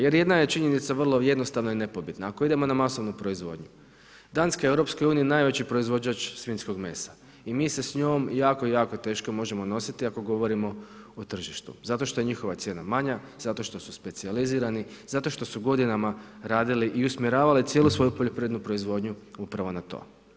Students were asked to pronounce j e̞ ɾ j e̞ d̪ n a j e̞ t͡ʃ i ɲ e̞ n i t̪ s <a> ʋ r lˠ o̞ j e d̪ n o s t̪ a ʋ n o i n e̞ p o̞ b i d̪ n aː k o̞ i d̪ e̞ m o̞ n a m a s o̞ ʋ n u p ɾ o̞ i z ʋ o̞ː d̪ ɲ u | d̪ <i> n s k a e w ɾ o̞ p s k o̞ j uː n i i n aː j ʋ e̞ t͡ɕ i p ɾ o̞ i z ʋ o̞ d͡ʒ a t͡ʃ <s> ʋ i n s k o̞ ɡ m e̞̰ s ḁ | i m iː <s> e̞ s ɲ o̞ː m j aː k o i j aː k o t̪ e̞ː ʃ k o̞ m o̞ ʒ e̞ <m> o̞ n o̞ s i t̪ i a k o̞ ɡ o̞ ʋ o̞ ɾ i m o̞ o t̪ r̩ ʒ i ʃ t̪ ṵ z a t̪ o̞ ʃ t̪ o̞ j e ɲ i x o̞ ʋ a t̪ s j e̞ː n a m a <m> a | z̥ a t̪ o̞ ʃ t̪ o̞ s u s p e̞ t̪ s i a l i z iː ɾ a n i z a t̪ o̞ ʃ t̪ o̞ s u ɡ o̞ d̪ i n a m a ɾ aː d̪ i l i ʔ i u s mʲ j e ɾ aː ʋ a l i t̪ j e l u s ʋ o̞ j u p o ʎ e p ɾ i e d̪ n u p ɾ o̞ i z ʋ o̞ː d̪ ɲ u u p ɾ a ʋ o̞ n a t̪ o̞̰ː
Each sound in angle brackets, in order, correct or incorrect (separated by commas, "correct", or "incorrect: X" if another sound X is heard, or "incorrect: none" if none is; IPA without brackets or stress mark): correct, incorrect: a, correct, correct, correct, incorrect: ɲ